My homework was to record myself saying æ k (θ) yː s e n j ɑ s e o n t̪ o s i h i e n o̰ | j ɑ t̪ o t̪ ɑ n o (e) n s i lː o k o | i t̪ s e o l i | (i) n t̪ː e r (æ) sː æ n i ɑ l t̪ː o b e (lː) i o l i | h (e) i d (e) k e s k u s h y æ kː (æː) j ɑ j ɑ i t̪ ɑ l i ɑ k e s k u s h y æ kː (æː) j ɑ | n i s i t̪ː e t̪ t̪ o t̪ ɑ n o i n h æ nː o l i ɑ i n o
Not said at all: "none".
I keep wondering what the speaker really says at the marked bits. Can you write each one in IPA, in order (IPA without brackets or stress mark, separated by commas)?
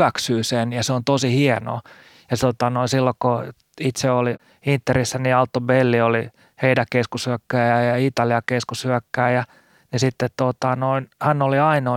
s, i, i, i, lː, e, æ, æː, æː